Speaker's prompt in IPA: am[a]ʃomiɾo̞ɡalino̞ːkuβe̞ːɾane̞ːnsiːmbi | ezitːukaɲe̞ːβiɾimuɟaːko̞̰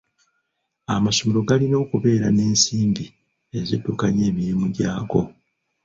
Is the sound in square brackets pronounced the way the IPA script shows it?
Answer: yes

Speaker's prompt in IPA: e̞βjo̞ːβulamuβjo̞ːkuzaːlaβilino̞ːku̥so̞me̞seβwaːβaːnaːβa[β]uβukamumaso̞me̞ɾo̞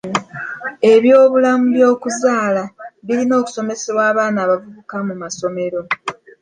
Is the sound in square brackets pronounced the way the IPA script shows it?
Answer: no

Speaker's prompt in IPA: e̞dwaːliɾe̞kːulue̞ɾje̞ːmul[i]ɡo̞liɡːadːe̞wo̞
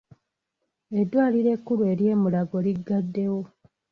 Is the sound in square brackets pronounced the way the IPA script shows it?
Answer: no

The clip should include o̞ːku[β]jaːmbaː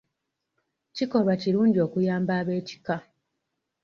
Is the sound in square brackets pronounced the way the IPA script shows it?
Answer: no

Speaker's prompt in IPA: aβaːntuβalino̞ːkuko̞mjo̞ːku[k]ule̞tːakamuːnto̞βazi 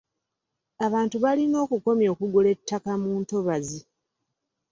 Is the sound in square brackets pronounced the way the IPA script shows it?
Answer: no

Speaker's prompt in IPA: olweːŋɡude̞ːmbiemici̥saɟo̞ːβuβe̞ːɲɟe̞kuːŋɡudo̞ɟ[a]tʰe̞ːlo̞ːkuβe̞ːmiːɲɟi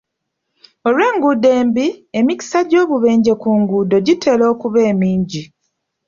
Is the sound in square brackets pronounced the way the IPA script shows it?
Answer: no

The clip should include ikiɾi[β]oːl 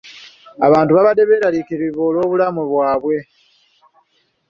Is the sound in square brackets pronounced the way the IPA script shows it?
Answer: yes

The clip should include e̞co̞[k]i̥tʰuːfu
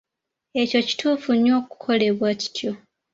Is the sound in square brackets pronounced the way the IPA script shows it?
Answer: no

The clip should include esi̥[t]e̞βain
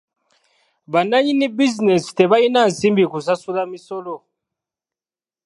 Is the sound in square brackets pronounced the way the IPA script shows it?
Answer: yes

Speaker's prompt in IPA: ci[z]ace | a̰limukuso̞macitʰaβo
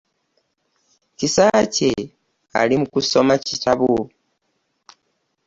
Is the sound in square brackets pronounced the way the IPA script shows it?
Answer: no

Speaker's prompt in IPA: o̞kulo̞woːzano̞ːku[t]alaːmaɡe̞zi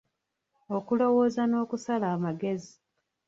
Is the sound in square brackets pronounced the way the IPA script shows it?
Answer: no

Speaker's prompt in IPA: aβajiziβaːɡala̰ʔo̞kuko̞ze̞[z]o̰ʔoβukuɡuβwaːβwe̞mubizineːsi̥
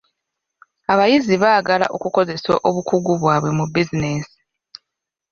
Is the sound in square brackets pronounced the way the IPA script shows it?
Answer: no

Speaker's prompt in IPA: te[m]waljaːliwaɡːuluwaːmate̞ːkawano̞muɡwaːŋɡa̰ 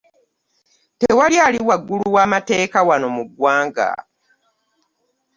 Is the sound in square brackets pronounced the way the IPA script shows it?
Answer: no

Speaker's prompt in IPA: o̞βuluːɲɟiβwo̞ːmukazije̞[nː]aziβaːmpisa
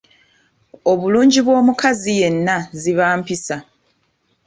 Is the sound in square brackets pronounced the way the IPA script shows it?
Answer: yes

